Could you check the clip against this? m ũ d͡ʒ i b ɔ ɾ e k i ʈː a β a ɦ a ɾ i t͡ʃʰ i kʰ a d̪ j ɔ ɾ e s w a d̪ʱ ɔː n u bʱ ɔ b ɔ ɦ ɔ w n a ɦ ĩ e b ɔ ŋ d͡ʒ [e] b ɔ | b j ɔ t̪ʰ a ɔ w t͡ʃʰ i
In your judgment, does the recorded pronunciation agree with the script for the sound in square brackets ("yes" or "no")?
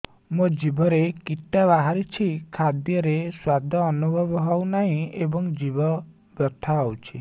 no